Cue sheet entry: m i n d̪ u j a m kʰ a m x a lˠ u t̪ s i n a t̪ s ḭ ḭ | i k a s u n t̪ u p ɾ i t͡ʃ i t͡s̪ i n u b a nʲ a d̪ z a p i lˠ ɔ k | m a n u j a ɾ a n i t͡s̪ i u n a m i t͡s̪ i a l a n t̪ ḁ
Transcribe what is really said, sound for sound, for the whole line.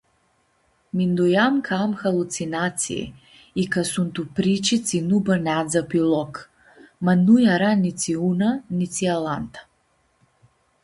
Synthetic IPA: m i n d̪ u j a m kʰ a m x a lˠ u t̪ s i n a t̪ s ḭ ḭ | i k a s u n t̪ u p ɾ i t͡ʃ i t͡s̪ i n u b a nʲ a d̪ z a p i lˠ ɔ k | m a n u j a ɾ a n i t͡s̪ i u n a n i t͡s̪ i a l a n t̪ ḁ